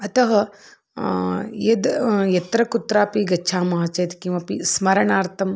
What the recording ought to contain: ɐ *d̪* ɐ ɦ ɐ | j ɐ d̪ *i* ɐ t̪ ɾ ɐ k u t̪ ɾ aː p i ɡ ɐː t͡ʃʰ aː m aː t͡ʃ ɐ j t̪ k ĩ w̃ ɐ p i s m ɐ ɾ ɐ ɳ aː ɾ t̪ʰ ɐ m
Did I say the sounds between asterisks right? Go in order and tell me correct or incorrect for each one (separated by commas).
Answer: incorrect, incorrect